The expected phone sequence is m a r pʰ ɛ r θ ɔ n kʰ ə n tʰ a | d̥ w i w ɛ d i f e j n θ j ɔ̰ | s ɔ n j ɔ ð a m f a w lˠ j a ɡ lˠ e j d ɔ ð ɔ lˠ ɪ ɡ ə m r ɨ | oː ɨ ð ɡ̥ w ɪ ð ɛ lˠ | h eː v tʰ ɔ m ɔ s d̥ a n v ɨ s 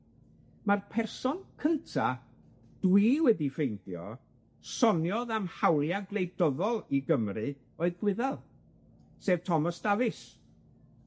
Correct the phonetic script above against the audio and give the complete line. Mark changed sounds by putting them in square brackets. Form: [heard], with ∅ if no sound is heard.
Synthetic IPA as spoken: m a r pʰ ɛ r [s] ɔ n kʰ ə n tʰ a | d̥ w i w ɛ d i f e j n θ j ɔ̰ | s ɔ n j ɔ ð a m [h] a w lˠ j a ɡ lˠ e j d ɔ ð ɔ lˠ [i] ɡ ə m r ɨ | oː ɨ ð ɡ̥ w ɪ ð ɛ lˠ | [s] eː v tʰ ɔ m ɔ s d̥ a [∅] v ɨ s